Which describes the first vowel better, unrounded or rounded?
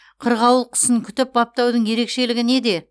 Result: unrounded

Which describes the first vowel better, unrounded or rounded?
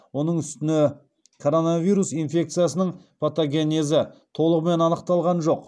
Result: rounded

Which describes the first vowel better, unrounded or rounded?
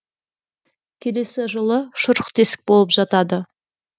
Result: unrounded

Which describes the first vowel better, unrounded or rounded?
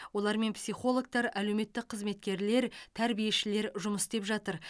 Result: rounded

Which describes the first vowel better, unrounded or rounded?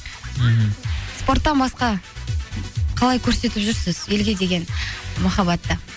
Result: rounded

